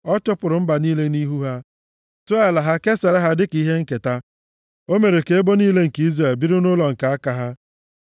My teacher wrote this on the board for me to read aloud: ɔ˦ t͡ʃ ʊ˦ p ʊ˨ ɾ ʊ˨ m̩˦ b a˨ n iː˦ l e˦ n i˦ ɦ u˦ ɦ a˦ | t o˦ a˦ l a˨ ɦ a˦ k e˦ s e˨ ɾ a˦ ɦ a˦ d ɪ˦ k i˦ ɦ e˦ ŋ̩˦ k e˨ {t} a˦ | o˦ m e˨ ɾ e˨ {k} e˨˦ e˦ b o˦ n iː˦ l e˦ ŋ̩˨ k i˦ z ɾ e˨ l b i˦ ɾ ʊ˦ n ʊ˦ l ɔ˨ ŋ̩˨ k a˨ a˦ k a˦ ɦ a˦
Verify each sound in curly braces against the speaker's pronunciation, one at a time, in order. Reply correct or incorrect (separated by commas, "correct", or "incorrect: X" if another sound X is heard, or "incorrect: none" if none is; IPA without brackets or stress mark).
correct, correct